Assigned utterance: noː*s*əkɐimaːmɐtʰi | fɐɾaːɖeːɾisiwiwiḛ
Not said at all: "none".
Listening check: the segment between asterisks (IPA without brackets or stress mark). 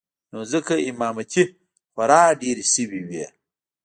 z